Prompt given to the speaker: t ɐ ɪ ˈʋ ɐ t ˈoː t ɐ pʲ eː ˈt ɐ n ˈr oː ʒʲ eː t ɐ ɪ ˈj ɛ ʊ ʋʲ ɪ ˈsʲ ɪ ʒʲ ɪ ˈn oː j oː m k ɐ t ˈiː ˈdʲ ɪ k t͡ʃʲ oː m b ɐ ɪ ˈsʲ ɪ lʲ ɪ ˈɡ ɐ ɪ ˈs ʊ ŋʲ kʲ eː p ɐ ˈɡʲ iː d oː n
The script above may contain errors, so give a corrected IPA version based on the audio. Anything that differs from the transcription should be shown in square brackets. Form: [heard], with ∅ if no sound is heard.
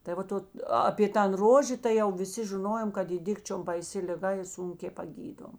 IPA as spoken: t ɐ ɪ ˈʋ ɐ t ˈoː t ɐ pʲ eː ˈt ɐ n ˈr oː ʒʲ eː t ɐ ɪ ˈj ɛ ʊ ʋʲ ɪ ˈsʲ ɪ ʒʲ ɪ ˈn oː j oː m k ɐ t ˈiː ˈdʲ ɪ k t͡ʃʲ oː m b ɐ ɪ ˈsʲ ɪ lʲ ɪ ˈɡ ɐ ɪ ˈs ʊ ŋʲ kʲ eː p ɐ ˈɡʲ iː d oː [m]